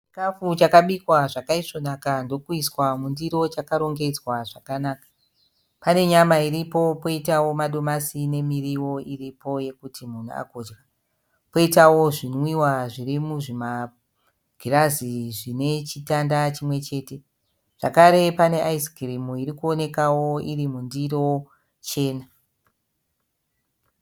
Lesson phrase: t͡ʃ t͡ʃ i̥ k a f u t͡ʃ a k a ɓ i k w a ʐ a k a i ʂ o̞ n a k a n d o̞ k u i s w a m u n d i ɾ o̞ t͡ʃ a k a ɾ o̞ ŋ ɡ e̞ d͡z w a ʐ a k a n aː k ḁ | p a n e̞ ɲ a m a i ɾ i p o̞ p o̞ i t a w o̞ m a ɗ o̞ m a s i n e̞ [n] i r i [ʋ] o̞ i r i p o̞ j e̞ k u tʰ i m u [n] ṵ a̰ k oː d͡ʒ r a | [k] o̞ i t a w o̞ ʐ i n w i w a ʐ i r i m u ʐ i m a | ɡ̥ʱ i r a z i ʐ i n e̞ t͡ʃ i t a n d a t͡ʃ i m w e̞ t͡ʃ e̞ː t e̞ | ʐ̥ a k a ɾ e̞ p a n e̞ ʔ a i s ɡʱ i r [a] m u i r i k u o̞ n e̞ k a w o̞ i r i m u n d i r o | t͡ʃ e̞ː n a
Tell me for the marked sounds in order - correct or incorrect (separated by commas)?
incorrect, incorrect, correct, incorrect, incorrect